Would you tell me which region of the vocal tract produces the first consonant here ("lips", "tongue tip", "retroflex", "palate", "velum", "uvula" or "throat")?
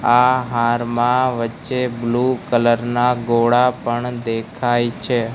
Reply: throat